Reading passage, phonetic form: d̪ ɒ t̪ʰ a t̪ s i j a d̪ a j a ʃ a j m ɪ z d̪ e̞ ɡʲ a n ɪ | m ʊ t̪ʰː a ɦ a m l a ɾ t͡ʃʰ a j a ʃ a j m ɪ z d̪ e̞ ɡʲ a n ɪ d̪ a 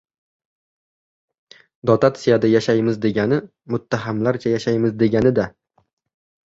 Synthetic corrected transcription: d̪ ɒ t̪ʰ a t̪ s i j a d̪ a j a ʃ a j m ɪ z d̪ e̞ ɡʲ a n ɪ | m ʊ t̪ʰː a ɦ a m l a ɾ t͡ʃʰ a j a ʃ a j m ɪ z d̪ e̞ ɡʲ a n ɪ d̪ a